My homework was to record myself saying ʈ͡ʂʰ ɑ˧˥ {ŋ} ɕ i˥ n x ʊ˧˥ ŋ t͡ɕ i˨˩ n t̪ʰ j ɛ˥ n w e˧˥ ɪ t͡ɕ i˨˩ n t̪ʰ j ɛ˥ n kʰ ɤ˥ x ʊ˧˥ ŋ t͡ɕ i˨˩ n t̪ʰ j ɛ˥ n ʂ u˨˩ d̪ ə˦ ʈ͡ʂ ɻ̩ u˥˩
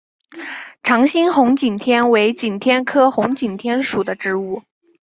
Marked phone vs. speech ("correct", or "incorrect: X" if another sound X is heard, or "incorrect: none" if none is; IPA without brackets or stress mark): correct